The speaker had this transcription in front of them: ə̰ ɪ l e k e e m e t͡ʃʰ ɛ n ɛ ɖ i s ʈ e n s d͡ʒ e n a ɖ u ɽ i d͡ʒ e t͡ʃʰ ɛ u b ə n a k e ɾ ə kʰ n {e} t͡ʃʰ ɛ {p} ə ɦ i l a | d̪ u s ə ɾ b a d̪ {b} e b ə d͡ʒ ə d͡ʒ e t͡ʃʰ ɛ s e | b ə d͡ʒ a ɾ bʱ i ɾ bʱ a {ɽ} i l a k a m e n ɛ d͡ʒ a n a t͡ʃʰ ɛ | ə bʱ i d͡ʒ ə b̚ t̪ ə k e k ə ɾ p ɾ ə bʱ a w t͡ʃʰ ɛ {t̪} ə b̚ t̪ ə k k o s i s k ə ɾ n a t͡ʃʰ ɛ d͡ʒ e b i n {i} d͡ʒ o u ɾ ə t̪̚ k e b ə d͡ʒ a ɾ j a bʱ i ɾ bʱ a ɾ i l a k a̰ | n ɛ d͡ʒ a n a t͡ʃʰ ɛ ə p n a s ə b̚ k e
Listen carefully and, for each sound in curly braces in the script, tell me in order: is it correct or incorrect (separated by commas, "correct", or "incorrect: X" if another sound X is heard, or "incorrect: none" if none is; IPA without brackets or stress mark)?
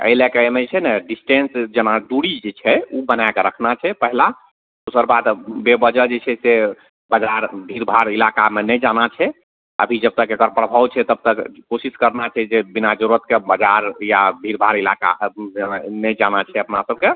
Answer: incorrect: a, correct, correct, incorrect: ɾ, correct, incorrect: a